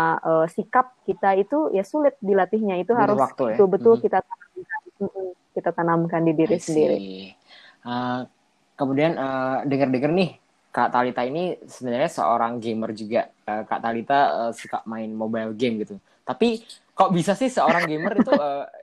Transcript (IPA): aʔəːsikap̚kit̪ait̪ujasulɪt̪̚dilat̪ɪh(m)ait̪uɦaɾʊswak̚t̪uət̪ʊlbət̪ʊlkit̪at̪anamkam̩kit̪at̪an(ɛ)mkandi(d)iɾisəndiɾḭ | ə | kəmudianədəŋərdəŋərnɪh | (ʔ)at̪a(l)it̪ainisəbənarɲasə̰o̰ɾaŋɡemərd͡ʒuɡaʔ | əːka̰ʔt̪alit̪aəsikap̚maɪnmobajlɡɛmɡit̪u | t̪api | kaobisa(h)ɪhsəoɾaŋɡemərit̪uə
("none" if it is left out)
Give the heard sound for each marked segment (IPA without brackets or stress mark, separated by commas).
ɲ, a, d, k, l, s